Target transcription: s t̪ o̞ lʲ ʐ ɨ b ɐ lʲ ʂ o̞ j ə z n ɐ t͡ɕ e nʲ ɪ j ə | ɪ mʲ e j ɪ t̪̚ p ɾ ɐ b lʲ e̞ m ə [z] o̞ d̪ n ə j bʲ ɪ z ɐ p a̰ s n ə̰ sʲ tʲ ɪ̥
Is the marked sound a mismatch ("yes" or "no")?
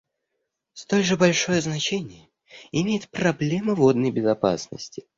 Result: yes